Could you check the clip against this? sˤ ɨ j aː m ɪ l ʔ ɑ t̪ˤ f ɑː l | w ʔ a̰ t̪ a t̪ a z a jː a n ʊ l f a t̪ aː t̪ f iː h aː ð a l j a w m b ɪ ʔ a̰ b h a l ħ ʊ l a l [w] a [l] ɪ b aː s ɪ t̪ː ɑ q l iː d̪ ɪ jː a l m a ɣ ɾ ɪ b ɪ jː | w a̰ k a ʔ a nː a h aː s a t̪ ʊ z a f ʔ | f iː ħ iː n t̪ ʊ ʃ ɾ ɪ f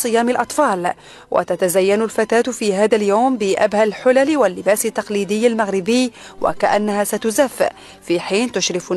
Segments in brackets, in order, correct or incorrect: correct, incorrect: lː

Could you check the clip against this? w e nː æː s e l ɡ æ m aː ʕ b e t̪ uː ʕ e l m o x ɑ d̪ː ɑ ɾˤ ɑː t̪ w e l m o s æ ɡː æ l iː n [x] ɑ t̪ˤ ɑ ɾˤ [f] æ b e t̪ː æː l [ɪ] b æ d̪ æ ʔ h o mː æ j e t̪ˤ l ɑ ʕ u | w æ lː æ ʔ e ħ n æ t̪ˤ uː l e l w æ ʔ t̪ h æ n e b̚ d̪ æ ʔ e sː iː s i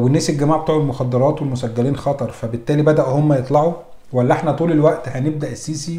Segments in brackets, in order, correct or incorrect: correct, correct, incorrect: i

